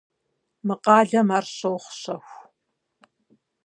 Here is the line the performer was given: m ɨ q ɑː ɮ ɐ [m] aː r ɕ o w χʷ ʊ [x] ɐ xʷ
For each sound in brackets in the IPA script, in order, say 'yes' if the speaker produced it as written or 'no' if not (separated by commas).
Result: yes, no